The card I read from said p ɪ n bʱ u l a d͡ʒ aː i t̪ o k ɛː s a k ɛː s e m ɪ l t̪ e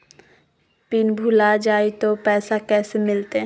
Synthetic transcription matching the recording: p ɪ n bʱ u l a d͡ʒ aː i t̪ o p ɛː s a k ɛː s e m ɪ l t̪ e